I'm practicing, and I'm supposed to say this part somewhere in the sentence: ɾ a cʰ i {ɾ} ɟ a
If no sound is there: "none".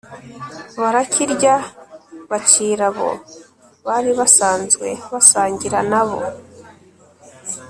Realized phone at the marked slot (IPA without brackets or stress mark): ɾ